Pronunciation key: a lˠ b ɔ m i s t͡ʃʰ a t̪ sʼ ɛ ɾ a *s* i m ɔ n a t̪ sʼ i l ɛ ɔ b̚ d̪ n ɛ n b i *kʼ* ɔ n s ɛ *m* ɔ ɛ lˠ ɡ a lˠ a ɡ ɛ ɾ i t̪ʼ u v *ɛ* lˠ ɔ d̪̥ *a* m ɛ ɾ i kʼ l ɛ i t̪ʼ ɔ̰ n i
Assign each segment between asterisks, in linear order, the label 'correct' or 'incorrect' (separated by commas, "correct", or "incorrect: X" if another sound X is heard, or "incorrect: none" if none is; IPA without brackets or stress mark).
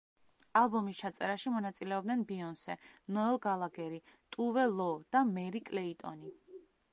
incorrect: ʃ, incorrect: none, incorrect: n, correct, correct